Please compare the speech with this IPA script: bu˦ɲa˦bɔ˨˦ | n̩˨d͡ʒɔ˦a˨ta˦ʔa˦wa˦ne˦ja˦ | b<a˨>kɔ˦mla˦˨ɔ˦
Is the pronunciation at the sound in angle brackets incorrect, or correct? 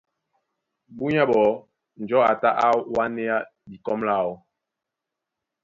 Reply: incorrect